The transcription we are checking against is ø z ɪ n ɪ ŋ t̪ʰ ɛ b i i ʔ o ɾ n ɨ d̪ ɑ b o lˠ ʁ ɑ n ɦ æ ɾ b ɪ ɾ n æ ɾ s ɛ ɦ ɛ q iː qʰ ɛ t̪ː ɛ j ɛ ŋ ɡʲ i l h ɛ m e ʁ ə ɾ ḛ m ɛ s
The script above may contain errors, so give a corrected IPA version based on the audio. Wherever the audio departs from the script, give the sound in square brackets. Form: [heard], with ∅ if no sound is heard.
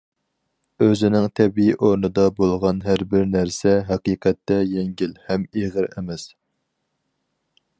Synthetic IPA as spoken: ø z ɪ n ɪ ŋ t̪ʰ ɛ b i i ʔ o ɾ n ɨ d̪ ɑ b o lˠ ʁ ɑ n ɦ æ ɾ b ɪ ɾ n æ ɾ s ɛ ɦ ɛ q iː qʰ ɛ t̪ː ɛ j ɛ ŋ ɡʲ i l h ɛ m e ʁ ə ɾ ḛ m ɛ s